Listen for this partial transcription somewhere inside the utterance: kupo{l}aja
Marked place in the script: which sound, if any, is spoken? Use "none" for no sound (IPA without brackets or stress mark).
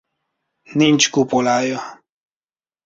l